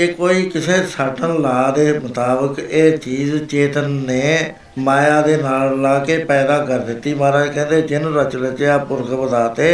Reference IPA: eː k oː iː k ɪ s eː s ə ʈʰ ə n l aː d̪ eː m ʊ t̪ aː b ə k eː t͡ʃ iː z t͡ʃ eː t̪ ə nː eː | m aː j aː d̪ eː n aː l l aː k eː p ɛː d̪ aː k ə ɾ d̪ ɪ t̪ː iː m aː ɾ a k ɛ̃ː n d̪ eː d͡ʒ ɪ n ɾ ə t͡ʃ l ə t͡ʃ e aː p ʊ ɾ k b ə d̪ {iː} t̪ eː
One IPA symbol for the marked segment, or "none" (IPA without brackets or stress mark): aː